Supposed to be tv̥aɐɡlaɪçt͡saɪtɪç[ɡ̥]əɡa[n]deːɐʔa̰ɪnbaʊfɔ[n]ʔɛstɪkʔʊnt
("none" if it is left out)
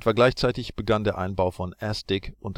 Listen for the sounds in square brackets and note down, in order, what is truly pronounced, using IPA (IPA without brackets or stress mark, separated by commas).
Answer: b̥, n, n